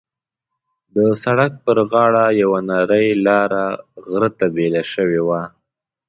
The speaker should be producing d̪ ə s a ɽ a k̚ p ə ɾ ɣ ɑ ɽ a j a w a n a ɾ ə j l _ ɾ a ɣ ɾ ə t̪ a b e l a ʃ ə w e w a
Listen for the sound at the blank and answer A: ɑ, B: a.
A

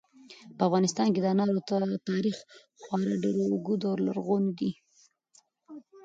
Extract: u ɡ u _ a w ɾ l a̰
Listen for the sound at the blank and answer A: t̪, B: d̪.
B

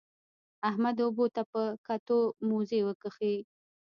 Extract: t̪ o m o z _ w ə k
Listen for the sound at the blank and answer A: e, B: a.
A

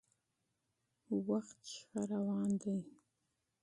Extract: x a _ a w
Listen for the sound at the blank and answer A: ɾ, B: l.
A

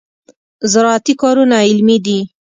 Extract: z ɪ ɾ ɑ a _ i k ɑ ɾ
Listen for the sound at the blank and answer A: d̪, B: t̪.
B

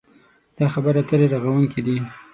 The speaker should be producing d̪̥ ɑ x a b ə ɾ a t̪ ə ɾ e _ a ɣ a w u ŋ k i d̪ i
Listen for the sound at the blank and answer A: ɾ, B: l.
A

